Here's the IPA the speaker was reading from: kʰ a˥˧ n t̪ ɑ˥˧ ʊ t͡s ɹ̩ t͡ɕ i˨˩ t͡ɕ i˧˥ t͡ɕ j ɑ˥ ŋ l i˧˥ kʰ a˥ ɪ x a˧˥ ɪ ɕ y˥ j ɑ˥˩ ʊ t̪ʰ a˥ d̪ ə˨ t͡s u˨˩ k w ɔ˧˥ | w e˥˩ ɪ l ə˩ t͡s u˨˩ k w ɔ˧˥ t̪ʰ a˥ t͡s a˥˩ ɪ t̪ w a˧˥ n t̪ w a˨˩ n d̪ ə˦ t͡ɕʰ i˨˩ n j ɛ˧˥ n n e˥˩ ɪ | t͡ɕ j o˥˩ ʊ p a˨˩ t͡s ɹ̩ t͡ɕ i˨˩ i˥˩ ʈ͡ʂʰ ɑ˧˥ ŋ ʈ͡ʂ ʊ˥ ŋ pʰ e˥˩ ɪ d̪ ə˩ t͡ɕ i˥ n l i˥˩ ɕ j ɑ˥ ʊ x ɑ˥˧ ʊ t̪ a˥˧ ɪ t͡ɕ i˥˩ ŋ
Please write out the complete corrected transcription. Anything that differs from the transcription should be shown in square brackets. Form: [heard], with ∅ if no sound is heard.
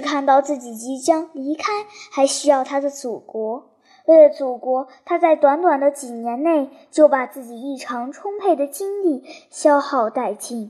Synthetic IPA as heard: kʰ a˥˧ n t̪ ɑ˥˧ ʊ t͡s ɹ̩ t͡ɕ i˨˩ t͡ɕ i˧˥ t͡ɕ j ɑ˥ ŋ l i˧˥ kʰ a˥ ɪ x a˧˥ ɪ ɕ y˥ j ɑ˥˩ ʊ t̪ʰ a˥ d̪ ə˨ t͡s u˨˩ k w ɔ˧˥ | w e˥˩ ɪ l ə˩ t͡s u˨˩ k w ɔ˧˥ t̪ʰ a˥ t͡s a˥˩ ɪ t̪ w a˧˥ n t̪ w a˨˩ n d̪ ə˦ [t͡ɕ] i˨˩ n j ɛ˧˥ n n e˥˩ ɪ | t͡ɕ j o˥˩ ʊ p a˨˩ t͡s ɹ̩ t͡ɕ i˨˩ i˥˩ ʈ͡ʂʰ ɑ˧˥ ŋ [ʈ͡ʂʰ] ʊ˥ ŋ pʰ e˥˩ ɪ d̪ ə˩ t͡ɕ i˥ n l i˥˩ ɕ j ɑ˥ ʊ x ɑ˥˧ ʊ t̪ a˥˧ ɪ t͡ɕ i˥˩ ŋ